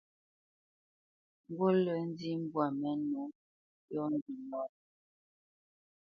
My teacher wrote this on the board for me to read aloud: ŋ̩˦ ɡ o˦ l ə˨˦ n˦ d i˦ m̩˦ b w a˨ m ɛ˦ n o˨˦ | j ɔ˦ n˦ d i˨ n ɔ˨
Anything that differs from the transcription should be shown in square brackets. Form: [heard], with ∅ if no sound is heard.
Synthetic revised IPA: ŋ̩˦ ɡ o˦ l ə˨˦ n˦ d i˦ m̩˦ b w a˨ m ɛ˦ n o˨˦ | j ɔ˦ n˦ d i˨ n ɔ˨